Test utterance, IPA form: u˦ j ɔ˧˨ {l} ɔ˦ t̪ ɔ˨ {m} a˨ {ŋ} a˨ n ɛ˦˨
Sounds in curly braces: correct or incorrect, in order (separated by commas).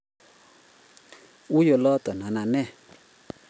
correct, incorrect, incorrect